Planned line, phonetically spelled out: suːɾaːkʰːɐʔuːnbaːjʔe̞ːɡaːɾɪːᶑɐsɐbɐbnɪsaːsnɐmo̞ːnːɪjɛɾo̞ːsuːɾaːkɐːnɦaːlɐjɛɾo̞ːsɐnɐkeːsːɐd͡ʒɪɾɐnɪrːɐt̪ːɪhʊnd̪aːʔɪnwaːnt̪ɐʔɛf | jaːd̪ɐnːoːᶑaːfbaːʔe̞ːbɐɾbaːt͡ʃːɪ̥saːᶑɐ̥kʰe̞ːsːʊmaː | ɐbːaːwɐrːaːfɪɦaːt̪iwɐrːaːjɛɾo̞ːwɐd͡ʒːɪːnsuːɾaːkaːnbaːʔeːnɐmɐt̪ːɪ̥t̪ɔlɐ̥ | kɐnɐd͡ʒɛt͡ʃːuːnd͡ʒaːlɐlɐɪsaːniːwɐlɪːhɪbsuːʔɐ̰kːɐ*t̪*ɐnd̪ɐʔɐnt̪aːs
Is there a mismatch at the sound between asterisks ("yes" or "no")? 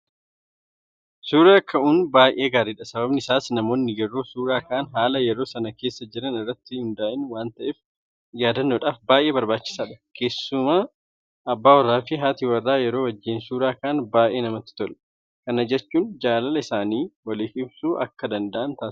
yes